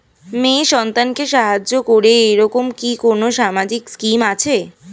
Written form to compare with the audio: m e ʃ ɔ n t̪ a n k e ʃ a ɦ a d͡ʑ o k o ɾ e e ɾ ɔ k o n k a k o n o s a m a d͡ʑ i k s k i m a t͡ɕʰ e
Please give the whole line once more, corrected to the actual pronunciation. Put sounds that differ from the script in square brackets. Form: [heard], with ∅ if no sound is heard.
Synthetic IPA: m e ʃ ɔ n t̪ a n k e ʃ a ɦ a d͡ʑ o k o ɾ e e ɾ ɔ k o [m] k [i] k o n o [ʃ] a m a d͡ʑ i k s k i m a t͡ɕʰ e